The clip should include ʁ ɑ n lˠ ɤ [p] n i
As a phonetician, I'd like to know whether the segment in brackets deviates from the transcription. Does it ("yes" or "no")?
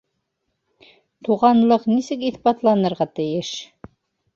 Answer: yes